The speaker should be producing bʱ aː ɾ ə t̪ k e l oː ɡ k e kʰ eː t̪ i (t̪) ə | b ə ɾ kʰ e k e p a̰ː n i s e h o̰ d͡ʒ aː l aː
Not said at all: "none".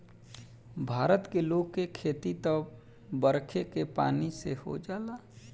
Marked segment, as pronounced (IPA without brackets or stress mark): t̪